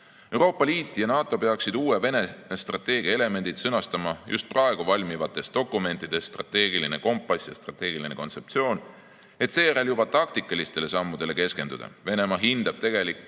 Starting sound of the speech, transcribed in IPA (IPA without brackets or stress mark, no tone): e̞